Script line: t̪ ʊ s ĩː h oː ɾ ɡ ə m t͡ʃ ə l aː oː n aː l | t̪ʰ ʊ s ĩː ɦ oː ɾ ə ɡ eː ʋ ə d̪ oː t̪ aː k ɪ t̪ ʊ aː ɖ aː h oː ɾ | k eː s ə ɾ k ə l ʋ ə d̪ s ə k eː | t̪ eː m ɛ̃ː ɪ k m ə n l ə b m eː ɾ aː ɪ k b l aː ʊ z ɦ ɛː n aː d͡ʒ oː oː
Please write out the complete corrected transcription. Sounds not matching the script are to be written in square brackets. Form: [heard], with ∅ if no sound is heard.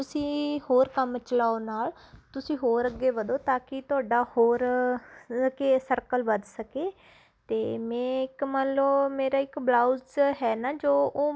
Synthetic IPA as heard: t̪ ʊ s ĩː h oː ɾ [k] ə m t͡ʃ ə l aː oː n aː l | [t̪] ʊ s ĩː ɦ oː ɾ ə ɡ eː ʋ ə d̪ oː t̪ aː k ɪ t̪ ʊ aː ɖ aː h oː ɾ | k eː s ə ɾ k ə l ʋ ə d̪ s ə k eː | t̪ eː m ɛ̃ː ɪ k m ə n l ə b m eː ɾ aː ɪ k b l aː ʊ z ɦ ɛː n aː d͡ʒ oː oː